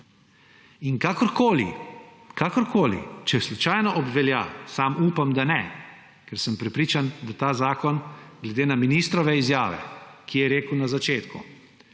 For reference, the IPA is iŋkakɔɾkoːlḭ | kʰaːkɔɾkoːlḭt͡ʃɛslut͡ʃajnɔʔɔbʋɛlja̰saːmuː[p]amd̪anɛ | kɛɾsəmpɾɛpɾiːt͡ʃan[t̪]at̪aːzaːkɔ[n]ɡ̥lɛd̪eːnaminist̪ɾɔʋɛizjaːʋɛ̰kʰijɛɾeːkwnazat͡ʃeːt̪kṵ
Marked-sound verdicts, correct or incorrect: correct, incorrect, correct

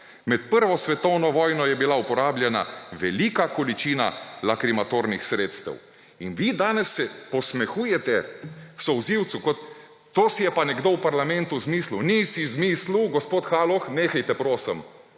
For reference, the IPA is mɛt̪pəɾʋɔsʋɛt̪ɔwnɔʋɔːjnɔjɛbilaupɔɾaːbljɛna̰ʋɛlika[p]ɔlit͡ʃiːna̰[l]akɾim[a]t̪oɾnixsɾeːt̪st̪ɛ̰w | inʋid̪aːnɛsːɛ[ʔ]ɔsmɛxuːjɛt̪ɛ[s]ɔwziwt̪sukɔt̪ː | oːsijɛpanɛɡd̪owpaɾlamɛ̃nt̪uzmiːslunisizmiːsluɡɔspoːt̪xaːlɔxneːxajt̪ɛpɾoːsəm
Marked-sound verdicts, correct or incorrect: incorrect, correct, correct, incorrect, correct

